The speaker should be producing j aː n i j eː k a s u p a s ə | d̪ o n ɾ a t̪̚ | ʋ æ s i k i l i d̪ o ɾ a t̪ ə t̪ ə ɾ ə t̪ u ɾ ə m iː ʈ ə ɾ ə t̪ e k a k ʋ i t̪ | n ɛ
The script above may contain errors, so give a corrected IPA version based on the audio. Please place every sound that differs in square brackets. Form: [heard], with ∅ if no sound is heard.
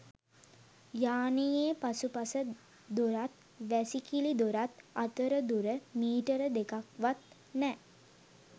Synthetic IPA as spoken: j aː n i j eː [p] a s u p a s ə | d̪ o [∅] ɾ a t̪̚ | ʋ æ s i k i l i d̪ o ɾ a t̪ [a] t̪ ə ɾ ə [d̪] u ɾ ə m iː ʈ ə ɾ ə [d̪] e k a k ʋ [a] t̪ | n ɛ